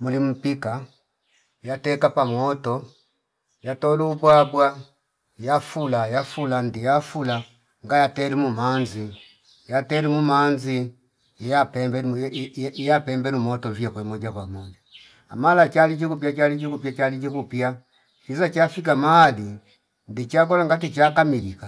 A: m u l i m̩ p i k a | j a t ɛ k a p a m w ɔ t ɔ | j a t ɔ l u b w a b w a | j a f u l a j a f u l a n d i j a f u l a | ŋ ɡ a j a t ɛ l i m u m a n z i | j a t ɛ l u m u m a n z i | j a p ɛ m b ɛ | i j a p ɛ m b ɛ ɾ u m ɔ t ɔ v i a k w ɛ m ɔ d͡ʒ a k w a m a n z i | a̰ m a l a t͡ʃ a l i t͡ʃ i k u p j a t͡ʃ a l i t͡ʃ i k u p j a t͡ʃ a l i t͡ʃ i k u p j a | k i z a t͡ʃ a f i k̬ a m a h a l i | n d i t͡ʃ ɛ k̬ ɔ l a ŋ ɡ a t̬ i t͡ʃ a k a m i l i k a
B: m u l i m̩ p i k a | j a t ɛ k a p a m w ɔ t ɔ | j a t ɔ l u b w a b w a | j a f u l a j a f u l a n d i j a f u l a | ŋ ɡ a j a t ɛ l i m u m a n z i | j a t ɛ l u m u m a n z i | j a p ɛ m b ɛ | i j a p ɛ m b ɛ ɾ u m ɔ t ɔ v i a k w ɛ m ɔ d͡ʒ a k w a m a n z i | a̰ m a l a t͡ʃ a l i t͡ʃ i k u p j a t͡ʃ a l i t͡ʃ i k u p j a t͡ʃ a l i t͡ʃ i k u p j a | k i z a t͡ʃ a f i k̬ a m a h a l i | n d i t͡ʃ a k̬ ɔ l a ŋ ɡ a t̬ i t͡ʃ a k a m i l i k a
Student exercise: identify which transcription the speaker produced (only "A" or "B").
B